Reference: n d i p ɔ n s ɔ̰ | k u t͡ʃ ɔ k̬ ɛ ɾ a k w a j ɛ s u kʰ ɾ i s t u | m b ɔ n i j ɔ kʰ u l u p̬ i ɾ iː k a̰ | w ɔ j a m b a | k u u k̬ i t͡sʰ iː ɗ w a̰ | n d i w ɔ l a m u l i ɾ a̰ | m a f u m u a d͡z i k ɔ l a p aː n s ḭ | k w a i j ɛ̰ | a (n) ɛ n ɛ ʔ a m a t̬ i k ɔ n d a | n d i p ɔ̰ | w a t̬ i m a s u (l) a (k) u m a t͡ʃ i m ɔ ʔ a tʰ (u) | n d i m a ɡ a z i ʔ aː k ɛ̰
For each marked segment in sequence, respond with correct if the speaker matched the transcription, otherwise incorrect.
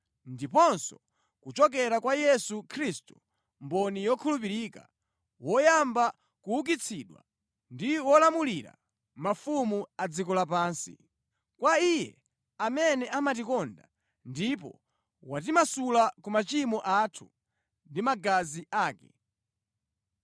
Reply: incorrect: m, correct, correct, correct

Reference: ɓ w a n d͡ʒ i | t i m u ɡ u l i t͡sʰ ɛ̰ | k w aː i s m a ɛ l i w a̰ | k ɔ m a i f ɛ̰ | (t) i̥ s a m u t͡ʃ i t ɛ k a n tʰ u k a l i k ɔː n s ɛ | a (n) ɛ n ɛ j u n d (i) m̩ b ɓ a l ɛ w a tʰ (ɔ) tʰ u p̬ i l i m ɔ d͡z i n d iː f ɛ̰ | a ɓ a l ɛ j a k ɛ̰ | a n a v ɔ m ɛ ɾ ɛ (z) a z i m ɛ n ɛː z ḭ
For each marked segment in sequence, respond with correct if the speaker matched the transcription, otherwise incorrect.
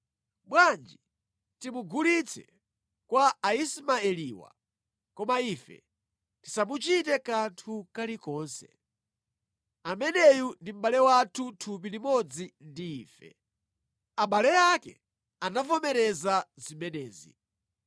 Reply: correct, incorrect: m, correct, incorrect: u, correct

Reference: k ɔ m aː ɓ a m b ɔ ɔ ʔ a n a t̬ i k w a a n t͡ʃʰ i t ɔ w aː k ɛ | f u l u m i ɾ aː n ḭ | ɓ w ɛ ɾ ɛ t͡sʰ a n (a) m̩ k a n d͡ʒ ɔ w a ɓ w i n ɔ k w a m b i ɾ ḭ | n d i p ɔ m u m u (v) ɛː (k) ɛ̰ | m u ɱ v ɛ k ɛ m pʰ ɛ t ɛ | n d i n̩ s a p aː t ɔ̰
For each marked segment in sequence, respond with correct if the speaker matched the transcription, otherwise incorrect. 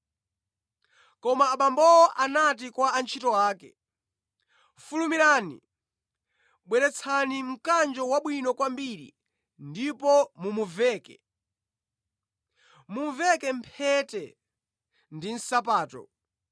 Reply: incorrect: i, correct, correct

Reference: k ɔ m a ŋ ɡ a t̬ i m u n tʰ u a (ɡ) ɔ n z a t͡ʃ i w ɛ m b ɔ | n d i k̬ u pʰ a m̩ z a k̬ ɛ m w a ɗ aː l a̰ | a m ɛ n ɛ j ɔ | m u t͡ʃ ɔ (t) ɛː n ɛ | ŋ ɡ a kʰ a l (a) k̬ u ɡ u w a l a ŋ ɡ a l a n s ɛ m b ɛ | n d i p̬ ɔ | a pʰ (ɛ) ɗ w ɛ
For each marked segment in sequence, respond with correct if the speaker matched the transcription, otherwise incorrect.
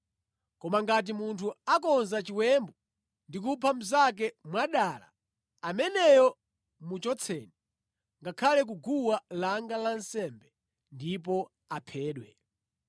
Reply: incorrect: k, incorrect: t͡sʰ, incorrect: ɛ, incorrect: ɛː

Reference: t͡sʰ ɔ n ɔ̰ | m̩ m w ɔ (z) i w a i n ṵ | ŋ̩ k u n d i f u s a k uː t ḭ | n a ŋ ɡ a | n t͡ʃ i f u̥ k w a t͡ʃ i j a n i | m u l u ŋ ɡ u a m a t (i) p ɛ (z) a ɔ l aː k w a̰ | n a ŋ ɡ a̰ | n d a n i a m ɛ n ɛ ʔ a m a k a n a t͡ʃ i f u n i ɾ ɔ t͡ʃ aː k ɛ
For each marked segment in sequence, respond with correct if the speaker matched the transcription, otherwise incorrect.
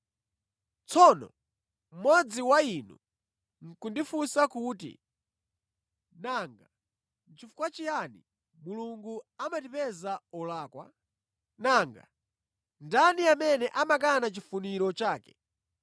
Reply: incorrect: d͡z, correct, correct

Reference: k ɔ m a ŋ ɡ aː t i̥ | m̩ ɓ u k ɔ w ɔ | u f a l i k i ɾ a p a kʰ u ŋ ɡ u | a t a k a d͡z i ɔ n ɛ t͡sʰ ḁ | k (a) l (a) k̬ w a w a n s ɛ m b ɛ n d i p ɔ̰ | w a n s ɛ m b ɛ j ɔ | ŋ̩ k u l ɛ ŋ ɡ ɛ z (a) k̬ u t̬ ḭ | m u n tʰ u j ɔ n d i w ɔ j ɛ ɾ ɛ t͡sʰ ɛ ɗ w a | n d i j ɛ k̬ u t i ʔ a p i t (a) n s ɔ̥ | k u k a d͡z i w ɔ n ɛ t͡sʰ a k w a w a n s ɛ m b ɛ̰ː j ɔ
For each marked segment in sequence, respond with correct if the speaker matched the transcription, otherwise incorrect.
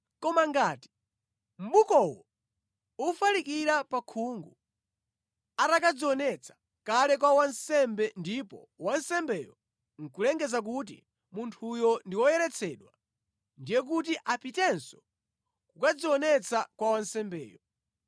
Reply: correct, incorrect: ɛ, correct, incorrect: ɛ

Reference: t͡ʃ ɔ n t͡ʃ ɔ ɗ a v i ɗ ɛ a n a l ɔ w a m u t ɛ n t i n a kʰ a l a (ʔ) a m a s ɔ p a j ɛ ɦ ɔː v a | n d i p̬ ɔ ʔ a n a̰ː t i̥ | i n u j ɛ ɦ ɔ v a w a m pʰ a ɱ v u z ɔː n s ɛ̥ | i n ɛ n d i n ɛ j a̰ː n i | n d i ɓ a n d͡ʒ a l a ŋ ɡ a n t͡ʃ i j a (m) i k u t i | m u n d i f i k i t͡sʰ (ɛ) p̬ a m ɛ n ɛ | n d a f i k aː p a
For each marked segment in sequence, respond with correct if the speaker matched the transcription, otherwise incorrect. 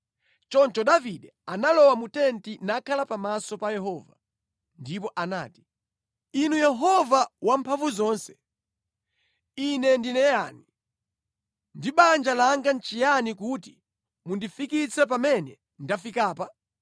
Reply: incorrect: p, incorrect: n, correct

